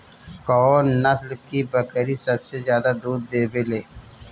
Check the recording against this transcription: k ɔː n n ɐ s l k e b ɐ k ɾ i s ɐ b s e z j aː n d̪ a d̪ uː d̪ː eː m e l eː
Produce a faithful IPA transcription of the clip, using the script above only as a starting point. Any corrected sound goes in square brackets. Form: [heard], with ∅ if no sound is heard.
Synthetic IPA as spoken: k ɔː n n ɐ s l k [i] b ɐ k ɾ i s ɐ b s e z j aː [∅] d̪ a d̪ uː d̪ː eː [b] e l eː